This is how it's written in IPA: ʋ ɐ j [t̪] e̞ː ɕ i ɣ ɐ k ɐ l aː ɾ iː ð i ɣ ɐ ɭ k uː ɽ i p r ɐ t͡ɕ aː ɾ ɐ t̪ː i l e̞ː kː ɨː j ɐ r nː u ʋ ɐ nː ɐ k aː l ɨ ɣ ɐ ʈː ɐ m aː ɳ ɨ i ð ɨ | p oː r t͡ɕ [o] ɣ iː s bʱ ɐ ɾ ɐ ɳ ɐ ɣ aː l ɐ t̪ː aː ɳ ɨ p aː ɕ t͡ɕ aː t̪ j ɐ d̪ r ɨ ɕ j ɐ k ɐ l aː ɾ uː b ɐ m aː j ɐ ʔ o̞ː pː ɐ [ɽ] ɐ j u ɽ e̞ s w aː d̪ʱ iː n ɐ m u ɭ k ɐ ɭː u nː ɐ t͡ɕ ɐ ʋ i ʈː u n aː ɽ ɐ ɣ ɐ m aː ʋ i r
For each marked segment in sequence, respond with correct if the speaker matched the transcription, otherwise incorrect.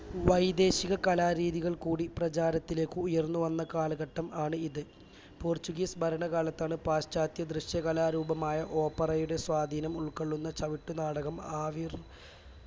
incorrect: d̪, incorrect: u, incorrect: r

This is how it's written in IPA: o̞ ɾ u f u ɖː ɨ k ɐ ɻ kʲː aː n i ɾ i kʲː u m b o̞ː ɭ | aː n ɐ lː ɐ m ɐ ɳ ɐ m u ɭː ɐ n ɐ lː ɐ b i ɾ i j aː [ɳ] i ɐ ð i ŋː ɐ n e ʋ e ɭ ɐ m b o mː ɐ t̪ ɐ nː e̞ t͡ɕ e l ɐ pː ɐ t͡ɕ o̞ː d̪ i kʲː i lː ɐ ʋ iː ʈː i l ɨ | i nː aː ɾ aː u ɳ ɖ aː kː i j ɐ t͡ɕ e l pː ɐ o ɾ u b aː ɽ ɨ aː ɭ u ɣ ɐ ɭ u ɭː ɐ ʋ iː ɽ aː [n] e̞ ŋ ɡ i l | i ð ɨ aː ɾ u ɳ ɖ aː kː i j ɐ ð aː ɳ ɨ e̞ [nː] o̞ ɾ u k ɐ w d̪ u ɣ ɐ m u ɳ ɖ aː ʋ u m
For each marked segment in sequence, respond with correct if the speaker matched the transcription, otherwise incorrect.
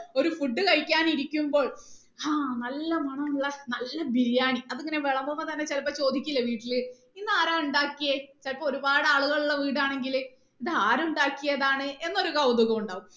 correct, incorrect: ɳ, correct

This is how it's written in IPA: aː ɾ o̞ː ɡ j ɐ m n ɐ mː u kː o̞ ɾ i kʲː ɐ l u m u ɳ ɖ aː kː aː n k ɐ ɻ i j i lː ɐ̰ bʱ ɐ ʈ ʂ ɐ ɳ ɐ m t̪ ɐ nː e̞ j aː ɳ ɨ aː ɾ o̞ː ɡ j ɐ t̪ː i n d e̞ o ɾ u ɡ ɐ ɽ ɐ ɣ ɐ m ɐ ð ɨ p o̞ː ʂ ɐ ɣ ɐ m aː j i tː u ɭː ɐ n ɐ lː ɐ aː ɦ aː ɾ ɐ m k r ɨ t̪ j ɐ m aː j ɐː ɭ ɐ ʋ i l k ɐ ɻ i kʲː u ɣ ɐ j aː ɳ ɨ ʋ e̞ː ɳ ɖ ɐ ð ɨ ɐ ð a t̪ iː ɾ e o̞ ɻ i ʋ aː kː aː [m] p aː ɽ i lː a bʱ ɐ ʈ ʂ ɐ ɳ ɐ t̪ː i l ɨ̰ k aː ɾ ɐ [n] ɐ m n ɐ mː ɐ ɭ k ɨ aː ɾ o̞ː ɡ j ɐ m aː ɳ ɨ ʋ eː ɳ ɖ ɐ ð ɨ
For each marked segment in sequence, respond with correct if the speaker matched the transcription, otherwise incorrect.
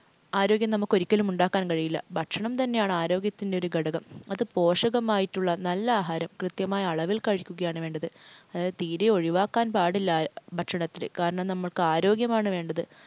incorrect: n, incorrect: ɳ

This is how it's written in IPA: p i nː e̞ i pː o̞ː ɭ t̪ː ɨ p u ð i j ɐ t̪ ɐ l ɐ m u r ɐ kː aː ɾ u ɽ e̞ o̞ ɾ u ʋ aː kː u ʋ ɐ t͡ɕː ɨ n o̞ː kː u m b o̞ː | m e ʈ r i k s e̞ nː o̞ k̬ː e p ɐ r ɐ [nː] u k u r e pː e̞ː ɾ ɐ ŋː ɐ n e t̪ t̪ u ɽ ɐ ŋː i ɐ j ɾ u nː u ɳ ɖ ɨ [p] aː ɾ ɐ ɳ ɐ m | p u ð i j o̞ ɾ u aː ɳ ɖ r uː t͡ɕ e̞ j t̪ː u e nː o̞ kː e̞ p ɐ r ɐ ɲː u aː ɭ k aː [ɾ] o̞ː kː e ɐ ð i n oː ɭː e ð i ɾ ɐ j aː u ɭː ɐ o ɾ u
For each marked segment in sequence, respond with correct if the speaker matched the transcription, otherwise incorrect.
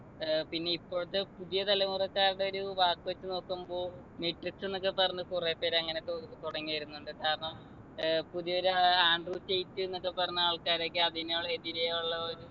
incorrect: ɲː, incorrect: k, correct

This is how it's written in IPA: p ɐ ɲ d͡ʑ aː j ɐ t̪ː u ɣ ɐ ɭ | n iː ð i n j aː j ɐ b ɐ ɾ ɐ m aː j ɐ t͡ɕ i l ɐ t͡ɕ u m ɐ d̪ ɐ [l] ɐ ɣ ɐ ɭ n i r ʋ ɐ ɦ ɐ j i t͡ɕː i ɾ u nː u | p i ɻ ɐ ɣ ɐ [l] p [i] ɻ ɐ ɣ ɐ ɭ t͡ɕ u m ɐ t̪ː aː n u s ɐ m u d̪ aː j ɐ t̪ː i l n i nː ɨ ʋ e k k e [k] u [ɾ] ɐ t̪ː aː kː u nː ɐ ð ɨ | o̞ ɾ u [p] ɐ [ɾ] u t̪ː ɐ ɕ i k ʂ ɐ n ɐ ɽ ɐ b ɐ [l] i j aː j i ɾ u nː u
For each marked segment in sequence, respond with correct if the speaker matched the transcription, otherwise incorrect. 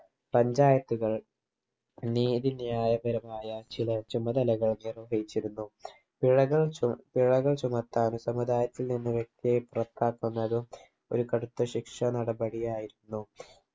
correct, incorrect: ɭ, correct, incorrect: p, incorrect: r, incorrect: k, incorrect: ɽ, incorrect: ɽ

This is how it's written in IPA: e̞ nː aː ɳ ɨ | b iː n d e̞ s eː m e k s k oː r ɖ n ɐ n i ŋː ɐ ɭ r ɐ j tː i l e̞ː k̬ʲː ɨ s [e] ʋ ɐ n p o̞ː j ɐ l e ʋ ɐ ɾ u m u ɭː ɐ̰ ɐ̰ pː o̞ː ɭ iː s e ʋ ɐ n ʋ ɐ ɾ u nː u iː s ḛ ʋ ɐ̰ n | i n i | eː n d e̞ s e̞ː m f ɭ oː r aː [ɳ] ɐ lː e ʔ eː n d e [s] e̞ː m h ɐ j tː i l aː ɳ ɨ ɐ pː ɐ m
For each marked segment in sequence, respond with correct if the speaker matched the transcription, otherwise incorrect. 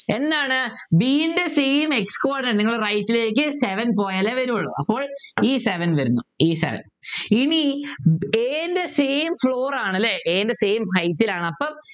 correct, correct, correct

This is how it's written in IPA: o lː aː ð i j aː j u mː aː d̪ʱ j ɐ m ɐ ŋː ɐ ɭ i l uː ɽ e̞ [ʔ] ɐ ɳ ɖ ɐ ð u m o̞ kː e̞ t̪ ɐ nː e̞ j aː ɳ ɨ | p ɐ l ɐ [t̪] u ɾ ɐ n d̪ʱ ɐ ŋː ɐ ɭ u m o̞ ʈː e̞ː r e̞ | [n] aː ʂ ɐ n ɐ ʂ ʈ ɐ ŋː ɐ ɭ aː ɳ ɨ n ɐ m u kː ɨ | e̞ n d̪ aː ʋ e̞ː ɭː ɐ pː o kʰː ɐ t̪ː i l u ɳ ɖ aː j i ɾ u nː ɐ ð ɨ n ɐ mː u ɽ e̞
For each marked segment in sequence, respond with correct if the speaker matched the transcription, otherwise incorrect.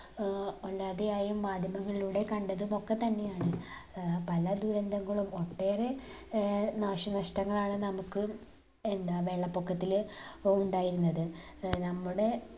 incorrect: k, incorrect: d̪, correct

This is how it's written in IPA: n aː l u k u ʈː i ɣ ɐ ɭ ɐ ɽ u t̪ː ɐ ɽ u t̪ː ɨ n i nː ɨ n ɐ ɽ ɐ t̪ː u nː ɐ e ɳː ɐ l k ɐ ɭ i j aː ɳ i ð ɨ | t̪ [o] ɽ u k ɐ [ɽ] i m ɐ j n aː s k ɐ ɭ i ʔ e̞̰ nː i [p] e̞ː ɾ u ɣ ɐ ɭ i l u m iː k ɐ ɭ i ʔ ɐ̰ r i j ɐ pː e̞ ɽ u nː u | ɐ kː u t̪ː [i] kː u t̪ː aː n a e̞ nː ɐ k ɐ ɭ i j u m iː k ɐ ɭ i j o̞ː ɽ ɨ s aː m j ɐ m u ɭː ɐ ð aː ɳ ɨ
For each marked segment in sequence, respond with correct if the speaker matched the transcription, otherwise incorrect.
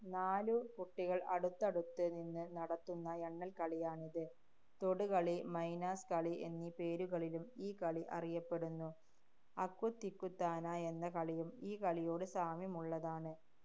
correct, incorrect: ɭ, correct, correct

